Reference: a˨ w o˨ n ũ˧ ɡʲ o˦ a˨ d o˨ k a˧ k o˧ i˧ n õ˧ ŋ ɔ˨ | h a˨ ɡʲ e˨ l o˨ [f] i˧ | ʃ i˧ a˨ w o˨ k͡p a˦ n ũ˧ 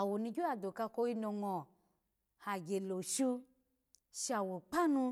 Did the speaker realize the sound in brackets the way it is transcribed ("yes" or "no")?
no